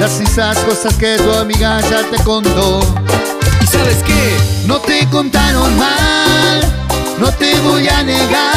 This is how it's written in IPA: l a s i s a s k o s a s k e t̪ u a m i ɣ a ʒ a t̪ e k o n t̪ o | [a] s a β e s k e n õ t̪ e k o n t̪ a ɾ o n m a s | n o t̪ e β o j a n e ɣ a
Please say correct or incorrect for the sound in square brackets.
incorrect: i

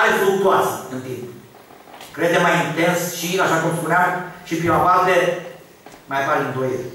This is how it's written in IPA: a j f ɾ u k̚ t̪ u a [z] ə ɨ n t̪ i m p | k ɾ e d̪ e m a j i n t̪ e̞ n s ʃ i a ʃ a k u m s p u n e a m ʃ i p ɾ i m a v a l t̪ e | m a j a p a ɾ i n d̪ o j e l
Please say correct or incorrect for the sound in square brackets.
incorrect: s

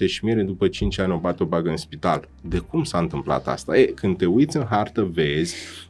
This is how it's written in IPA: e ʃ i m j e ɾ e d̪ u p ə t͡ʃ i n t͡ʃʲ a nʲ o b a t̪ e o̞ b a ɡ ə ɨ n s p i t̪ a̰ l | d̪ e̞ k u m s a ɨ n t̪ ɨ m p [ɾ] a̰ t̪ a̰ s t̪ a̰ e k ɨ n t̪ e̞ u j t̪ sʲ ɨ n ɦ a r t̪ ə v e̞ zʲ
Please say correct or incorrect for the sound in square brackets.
incorrect: l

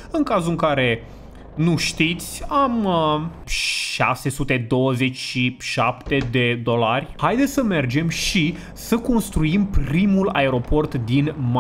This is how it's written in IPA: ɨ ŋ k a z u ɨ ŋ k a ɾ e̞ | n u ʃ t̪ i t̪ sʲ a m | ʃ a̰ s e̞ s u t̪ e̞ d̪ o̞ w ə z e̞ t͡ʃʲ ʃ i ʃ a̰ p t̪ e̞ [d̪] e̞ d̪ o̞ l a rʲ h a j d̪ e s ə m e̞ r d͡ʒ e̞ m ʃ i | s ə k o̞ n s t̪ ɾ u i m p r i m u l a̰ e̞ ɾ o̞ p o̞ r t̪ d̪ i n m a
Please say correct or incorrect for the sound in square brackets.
correct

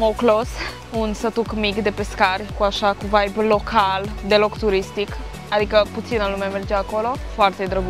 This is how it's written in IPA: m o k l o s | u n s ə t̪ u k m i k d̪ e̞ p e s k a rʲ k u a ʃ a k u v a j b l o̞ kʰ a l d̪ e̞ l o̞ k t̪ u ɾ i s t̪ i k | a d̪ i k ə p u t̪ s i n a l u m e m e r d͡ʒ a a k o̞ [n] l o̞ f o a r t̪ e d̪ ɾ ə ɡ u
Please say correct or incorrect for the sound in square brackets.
incorrect: none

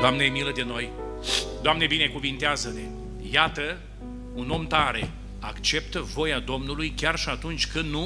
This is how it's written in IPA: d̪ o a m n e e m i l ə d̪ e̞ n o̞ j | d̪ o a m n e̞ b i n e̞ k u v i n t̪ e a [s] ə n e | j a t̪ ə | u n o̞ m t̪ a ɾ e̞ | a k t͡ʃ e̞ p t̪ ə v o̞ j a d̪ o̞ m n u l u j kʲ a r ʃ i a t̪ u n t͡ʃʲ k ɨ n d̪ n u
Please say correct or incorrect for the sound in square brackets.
incorrect: z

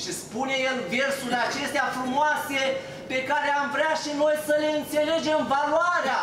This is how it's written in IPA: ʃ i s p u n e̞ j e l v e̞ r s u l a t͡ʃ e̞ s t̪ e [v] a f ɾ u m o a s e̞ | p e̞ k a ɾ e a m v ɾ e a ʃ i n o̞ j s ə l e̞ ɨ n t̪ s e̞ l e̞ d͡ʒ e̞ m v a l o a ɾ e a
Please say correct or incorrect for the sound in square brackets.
incorrect: none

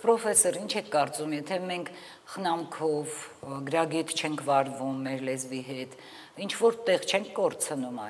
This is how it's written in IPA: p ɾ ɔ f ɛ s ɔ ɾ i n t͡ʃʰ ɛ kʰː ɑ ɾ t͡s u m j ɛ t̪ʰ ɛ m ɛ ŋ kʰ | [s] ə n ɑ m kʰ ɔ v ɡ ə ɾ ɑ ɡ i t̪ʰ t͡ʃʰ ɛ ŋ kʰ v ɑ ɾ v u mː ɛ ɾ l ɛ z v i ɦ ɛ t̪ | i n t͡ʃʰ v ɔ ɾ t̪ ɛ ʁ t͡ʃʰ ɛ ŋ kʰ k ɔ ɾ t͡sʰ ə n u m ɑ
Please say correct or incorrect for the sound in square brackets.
incorrect: χ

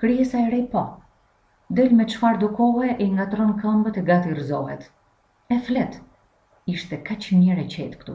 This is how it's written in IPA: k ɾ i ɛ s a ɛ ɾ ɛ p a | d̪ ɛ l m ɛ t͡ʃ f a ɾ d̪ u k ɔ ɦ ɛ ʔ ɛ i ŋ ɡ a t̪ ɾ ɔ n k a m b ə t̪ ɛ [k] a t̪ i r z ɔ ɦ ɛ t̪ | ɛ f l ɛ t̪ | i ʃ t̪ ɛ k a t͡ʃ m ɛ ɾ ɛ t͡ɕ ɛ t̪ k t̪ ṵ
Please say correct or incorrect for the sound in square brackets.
incorrect: ɡ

